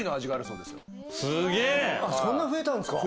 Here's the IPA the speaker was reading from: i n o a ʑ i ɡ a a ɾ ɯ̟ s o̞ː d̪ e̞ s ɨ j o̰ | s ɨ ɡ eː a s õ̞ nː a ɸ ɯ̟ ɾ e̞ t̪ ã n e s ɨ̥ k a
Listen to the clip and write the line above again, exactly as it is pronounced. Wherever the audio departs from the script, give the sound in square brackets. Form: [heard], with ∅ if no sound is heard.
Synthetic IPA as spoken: i n o a ʑ i ɡ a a ɾ ɯ̟ s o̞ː d̪ e̞ s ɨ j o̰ | s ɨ ɡ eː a s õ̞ nː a ɸ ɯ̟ [∅] e̞ t̪ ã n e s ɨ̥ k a